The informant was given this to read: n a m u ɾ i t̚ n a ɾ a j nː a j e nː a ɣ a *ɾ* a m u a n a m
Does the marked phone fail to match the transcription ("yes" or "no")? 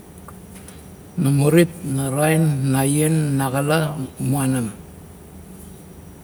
yes